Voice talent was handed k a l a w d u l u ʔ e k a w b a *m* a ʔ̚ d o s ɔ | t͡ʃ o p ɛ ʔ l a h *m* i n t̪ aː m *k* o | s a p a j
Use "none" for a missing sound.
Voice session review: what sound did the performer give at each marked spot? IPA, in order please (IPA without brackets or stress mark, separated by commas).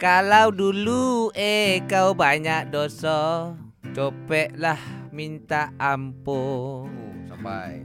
ɲ, m, p